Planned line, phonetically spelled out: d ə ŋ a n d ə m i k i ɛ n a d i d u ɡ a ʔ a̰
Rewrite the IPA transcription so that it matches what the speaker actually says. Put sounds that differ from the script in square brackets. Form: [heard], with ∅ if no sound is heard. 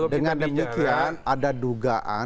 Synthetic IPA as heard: d ə ŋ a n d ə m i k i [a] n a d [a] d u ɡ a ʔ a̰